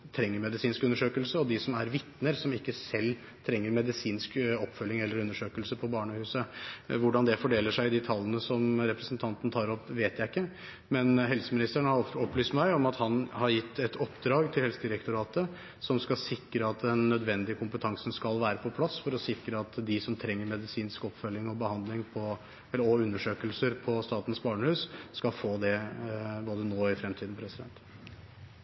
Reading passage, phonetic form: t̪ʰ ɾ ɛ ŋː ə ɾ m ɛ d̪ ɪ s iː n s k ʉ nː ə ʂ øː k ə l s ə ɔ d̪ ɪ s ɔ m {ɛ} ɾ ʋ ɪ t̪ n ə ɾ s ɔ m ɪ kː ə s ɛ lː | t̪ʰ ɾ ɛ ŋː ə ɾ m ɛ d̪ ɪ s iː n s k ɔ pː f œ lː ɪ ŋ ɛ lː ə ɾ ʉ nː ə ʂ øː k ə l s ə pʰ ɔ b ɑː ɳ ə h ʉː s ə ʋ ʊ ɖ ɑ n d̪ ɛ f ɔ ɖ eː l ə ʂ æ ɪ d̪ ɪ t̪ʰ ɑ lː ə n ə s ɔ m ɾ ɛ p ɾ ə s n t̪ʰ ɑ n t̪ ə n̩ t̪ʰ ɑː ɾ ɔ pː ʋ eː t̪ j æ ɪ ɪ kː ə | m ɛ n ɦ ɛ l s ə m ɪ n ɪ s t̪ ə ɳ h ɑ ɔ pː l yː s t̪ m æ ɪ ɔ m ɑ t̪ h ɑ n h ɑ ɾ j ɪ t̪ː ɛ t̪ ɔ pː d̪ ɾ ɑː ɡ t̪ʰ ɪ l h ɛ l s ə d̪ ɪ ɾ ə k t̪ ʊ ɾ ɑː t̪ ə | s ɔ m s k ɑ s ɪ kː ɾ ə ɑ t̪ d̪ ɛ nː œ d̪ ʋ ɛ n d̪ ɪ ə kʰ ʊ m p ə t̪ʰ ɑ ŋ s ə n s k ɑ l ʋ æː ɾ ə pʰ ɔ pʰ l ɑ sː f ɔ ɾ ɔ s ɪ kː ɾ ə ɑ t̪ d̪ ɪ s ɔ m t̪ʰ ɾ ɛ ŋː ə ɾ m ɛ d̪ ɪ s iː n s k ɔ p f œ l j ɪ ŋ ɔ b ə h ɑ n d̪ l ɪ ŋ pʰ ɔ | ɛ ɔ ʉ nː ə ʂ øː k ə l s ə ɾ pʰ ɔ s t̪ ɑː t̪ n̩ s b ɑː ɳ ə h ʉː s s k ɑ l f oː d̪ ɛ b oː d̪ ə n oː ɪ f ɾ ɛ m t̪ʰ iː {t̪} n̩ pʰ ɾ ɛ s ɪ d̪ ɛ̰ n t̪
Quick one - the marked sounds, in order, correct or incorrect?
incorrect, incorrect

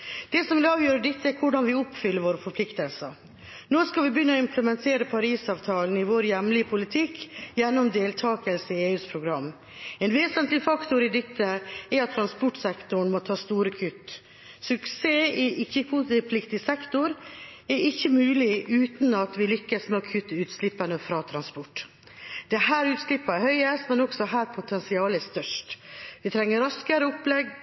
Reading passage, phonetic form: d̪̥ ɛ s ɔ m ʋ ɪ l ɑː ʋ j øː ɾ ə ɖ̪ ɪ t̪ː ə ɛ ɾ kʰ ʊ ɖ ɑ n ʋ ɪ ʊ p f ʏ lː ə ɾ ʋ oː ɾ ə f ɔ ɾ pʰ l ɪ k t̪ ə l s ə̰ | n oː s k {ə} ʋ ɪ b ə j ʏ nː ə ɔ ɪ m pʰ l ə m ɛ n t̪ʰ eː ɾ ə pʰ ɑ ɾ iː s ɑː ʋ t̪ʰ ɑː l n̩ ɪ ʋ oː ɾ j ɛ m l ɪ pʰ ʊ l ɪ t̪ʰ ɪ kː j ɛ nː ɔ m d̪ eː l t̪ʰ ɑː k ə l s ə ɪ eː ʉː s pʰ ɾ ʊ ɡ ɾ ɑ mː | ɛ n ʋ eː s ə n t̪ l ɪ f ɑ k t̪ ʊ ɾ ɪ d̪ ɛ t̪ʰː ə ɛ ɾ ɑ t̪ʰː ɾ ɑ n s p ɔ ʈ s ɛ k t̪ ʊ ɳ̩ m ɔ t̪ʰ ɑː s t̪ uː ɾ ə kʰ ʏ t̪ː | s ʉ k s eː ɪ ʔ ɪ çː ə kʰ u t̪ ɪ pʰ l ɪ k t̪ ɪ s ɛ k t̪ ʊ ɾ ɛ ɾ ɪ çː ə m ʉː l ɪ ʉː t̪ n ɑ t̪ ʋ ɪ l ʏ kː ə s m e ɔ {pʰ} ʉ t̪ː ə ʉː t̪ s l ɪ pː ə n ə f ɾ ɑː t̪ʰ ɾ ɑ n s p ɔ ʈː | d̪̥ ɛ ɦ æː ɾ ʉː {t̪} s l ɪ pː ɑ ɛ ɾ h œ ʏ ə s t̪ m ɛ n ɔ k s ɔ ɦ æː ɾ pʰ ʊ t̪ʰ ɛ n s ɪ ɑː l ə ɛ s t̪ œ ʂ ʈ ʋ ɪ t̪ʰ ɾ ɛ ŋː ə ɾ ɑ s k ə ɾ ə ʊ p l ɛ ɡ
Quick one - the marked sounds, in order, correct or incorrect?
incorrect, incorrect, correct

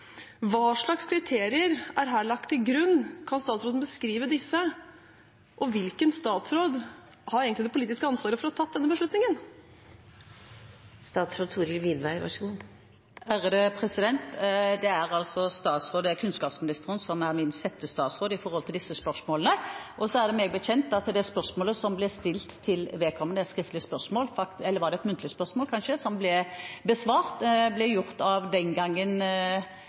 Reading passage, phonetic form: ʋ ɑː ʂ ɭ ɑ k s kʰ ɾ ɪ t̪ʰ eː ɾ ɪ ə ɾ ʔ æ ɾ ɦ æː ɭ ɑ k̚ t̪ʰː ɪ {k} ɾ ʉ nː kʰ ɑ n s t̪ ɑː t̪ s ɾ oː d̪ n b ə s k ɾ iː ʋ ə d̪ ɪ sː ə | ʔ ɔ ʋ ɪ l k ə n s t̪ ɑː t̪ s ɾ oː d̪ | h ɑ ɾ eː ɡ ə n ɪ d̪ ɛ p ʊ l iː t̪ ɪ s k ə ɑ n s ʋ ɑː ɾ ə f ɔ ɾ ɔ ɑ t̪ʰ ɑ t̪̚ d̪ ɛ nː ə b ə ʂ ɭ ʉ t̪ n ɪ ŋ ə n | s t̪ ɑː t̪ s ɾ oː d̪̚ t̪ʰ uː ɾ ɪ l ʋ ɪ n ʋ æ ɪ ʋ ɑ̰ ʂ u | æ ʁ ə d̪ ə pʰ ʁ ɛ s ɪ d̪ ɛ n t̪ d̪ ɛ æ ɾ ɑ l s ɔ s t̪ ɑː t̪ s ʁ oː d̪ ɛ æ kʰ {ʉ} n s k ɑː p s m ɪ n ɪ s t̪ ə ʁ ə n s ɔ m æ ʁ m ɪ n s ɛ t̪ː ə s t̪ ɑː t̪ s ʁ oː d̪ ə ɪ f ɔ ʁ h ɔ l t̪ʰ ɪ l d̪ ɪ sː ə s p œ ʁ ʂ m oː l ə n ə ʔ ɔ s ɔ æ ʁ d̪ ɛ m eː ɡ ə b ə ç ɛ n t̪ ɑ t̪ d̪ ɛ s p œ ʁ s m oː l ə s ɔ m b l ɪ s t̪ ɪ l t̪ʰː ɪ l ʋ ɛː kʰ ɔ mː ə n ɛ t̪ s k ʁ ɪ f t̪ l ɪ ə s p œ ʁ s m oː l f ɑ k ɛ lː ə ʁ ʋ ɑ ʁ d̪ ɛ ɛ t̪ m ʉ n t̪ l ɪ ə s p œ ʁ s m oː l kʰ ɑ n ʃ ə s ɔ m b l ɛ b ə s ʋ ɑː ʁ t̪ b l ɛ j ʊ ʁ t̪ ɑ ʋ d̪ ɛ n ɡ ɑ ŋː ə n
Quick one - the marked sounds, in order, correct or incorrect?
incorrect, correct

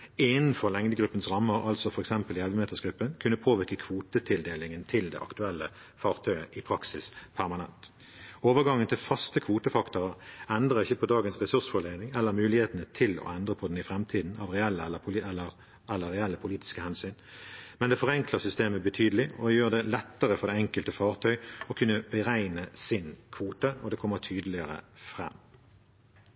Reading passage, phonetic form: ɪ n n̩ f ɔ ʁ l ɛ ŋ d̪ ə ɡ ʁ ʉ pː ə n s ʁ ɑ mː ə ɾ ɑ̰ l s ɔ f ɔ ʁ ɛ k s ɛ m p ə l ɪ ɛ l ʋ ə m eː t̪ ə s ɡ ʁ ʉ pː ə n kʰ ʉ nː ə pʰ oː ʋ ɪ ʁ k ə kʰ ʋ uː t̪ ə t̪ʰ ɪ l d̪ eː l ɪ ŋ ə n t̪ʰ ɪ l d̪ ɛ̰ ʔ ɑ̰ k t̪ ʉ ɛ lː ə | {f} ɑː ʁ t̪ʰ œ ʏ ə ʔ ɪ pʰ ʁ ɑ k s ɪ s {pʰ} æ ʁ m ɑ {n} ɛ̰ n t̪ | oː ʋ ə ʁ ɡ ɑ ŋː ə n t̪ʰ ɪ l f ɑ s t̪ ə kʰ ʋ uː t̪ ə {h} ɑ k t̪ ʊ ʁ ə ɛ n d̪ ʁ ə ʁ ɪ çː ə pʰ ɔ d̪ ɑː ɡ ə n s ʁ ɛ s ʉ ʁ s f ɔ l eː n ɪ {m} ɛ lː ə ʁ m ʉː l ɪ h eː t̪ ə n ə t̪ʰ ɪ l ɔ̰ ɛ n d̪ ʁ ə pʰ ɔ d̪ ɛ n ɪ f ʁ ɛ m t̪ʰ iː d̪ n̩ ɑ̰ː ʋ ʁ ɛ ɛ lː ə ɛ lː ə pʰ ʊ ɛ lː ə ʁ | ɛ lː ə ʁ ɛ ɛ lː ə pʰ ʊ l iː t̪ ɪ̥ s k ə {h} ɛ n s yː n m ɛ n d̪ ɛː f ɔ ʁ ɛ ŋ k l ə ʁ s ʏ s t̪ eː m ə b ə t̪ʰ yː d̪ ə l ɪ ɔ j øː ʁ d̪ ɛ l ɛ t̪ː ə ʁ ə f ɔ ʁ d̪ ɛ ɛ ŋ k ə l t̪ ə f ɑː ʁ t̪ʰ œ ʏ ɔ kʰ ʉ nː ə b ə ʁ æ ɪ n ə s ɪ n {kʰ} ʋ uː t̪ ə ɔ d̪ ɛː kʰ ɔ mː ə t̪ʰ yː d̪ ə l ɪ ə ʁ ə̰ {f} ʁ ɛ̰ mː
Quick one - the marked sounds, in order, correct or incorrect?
correct, correct, correct, incorrect, incorrect, correct, correct, correct

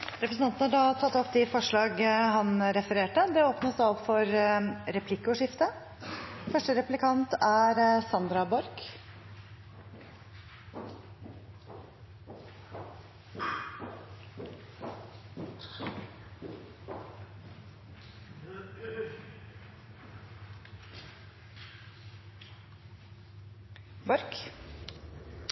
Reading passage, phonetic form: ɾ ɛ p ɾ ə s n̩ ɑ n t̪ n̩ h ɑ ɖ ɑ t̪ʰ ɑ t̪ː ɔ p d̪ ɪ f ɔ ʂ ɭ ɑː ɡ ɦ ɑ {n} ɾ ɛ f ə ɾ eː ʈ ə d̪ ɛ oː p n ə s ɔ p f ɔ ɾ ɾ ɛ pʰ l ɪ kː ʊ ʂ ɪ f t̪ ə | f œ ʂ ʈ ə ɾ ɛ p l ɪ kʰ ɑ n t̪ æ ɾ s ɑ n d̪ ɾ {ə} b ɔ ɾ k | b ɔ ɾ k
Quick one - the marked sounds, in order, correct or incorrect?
correct, incorrect

